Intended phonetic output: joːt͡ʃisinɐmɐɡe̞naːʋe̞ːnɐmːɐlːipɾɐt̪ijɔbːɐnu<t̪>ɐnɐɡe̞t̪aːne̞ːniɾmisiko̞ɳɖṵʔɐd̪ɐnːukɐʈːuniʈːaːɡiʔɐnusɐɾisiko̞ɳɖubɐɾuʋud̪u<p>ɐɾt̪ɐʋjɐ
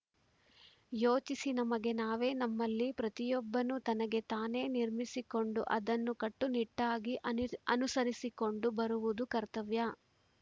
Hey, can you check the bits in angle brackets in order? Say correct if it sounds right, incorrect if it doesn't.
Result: correct, incorrect: k

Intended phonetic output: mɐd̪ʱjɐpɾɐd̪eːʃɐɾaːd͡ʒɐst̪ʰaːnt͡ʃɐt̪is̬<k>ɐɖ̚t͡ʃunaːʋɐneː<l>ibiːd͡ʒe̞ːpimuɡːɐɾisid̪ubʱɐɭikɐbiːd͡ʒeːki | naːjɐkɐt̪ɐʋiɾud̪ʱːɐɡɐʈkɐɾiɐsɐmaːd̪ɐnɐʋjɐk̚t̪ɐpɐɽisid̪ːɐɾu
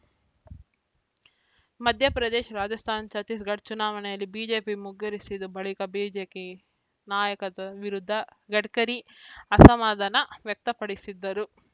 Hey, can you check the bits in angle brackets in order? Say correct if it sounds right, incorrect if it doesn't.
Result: incorrect: ɡ, correct

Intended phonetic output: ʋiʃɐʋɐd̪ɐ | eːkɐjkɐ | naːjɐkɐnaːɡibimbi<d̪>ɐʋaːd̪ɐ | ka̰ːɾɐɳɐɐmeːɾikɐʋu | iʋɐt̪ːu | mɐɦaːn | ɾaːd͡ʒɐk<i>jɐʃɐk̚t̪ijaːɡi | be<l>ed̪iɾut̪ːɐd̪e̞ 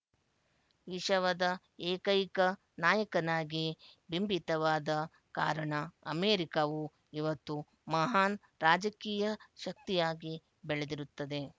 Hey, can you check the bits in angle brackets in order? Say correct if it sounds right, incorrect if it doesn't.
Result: incorrect: t̪, incorrect: iː, incorrect: ɭ

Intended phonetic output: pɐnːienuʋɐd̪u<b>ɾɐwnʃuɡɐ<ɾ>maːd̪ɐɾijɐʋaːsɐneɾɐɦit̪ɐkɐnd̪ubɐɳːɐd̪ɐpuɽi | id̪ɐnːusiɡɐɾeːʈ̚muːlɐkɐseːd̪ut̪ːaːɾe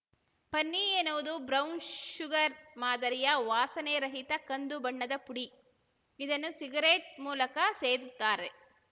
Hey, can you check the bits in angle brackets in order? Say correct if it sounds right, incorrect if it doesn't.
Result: correct, correct

